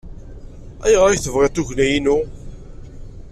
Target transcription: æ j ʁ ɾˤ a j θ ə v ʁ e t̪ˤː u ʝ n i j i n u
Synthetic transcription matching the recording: æ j ʁ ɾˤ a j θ ə v ʁ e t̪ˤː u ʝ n æ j i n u